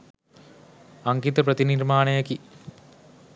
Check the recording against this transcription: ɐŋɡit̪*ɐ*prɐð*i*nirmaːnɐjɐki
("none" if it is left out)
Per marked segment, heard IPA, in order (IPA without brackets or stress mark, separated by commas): ɐ, i